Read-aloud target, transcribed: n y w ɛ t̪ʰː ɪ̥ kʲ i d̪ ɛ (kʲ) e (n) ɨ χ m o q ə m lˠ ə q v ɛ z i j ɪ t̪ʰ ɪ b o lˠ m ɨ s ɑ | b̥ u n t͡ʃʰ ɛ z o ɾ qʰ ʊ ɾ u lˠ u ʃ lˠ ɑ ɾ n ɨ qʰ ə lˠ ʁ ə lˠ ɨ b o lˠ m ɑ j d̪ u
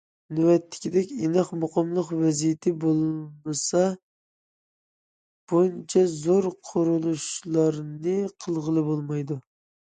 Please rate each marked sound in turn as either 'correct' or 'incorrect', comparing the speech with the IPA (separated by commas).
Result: correct, correct